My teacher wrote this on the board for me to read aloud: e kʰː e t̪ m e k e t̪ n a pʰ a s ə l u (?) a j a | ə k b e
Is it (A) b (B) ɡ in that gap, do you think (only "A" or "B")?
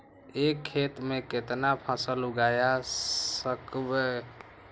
B